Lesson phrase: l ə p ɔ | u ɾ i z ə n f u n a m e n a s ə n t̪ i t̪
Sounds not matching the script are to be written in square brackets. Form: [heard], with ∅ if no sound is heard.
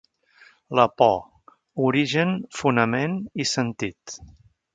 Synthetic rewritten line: l ə p ɔ | u ɾ i [ʒ] ə n f u n [ə] m e n [i] s ə n t̪ i t̪